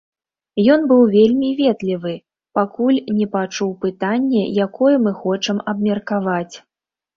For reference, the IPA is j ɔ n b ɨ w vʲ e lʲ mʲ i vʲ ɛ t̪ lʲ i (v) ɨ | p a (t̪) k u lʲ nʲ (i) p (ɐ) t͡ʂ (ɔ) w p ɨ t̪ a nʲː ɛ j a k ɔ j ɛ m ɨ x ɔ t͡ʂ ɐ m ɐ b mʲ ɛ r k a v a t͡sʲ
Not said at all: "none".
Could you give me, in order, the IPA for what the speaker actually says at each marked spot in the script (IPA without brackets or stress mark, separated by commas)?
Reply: v, none, ɛ, a, u